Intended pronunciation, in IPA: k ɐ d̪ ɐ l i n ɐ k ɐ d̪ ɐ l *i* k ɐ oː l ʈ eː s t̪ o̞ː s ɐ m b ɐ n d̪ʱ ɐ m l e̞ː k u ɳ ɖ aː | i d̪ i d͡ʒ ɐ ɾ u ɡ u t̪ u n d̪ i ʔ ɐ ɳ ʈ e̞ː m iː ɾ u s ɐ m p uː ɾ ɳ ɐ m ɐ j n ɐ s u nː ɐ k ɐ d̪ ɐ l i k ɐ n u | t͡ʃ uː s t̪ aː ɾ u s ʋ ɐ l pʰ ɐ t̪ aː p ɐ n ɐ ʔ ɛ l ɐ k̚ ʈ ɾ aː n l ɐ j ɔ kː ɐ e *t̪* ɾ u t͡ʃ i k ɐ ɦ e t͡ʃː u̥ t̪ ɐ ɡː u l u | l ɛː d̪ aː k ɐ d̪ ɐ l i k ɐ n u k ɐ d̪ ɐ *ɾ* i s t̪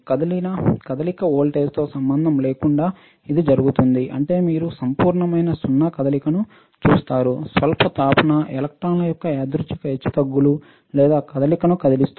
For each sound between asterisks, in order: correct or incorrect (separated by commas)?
correct, incorrect, incorrect